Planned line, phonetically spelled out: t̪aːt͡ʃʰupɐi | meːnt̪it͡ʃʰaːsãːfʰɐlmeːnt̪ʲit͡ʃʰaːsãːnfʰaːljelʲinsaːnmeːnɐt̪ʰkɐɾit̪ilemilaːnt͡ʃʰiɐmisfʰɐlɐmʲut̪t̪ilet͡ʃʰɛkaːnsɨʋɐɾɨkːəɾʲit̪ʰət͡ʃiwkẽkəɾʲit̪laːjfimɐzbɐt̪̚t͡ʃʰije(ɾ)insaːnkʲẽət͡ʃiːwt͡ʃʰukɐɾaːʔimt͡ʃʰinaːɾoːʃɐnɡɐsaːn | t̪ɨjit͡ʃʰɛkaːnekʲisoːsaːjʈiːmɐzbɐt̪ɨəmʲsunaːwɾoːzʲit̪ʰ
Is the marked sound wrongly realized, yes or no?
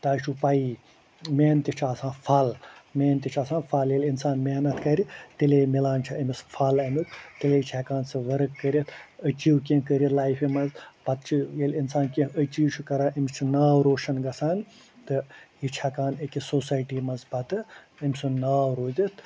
yes